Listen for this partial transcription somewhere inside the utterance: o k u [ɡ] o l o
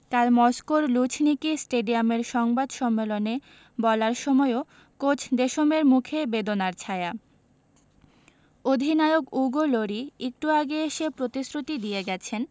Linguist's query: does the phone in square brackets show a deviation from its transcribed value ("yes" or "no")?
no